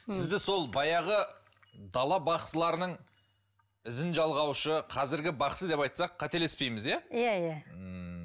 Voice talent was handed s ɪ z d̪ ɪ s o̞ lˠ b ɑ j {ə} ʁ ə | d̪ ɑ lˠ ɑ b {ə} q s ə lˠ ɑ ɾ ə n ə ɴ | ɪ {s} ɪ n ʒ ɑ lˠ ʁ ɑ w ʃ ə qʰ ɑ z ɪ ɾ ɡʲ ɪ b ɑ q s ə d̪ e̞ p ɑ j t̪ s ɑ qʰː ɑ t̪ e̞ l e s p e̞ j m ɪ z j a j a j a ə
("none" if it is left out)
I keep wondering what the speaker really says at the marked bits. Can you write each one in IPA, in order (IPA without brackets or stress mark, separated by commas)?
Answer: ɑ, ɑ, z